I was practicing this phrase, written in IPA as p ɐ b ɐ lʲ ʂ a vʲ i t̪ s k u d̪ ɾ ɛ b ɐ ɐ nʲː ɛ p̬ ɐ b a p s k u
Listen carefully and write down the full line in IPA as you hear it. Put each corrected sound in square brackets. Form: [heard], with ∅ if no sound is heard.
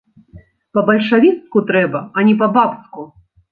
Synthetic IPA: p ɐ b ɐ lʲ ʂ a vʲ i t̪ s k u [t̪] ɾ ɛ b ɐ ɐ [nʲ] ɛ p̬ ɐ b a p s k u